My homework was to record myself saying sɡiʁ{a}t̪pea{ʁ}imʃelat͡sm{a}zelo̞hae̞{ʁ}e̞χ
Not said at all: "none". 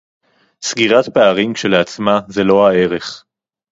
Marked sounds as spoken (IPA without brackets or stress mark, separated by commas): a, ʁ, a, ʁ